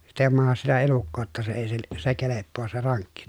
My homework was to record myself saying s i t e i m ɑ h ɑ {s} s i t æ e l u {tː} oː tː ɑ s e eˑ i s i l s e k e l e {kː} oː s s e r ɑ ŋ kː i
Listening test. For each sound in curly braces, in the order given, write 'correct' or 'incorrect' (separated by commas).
correct, incorrect, incorrect